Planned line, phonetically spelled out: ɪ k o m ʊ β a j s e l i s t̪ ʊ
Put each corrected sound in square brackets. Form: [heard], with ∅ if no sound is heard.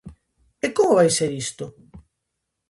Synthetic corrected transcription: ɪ k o m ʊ β a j s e [ɾ] i s t̪ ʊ